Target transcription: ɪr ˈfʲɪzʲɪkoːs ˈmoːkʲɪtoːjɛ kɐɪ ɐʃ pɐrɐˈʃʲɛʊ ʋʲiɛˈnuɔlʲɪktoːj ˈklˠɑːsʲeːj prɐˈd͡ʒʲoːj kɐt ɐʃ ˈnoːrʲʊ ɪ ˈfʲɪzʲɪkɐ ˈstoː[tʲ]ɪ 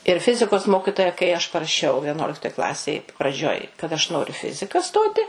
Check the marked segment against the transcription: correct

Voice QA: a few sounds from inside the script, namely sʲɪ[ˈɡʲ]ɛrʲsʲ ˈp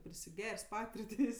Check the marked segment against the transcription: correct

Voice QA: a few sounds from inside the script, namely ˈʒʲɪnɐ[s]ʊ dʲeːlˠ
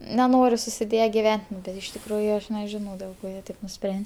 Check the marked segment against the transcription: incorrect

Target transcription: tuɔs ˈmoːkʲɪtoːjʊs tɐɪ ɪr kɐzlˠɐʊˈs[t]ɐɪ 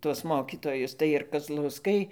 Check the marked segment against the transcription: incorrect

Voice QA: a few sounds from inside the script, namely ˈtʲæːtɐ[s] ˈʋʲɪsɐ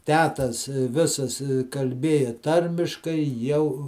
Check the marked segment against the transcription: correct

